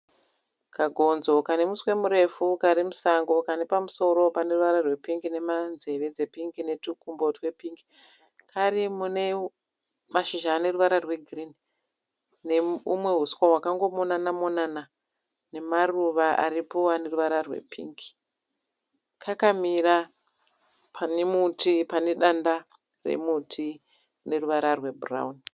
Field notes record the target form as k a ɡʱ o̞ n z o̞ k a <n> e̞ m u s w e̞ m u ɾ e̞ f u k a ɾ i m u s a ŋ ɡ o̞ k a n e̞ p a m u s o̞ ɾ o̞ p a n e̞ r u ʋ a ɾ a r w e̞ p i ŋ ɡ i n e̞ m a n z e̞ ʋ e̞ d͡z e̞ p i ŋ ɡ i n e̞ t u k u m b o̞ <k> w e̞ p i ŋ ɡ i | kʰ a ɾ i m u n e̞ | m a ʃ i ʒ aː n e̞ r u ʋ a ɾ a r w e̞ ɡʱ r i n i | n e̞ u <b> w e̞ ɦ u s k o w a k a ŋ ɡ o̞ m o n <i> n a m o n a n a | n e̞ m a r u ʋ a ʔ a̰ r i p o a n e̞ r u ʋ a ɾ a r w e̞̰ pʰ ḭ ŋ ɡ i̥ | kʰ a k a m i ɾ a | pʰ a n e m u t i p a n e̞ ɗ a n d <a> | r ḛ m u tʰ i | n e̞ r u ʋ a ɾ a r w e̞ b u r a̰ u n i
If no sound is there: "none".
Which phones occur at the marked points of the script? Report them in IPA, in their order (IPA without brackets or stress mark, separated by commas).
n, t, m, a, a